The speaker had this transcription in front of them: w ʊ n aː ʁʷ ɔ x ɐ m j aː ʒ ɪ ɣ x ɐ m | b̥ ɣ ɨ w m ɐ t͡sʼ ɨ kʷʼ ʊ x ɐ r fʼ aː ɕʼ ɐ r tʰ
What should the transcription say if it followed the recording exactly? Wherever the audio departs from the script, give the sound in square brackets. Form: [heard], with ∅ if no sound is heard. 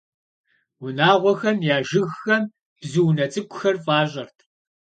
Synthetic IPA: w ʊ n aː ʁʷ ɔ x ɐ m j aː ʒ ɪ ɣ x ɐ m | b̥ [z] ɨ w [n] ɐ t͡sʼ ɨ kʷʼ ʊ x ɐ r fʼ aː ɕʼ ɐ r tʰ